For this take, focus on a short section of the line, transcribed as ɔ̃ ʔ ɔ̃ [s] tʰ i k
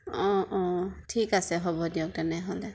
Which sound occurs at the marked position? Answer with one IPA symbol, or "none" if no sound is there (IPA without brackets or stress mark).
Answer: none